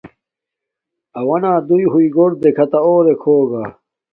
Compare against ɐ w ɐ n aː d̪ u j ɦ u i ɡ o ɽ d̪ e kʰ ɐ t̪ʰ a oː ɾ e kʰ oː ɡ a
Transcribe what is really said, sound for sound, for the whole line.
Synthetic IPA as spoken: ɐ w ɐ n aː d̪ u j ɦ u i ɡ o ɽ d̪ e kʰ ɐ t̪ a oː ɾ e kʰ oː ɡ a